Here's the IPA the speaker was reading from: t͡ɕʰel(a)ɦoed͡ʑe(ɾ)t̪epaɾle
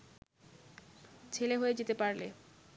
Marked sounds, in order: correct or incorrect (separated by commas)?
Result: incorrect, incorrect